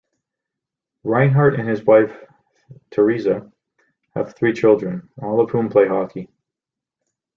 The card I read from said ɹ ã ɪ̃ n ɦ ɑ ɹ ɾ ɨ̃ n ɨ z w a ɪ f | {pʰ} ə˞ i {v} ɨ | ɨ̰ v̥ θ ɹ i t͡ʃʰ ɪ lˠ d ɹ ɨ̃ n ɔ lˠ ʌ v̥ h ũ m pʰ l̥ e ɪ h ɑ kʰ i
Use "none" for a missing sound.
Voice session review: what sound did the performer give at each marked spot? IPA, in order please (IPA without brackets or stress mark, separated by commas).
tʰ, z